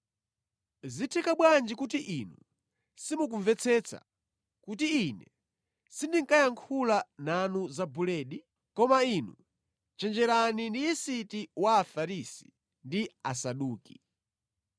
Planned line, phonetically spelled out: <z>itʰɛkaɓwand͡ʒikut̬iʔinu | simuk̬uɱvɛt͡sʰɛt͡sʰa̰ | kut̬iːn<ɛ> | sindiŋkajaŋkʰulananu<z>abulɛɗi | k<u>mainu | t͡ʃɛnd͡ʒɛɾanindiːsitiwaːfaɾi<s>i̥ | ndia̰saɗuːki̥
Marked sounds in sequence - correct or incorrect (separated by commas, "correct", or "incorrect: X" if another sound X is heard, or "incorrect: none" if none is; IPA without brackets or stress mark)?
correct, correct, correct, incorrect: ɔ, correct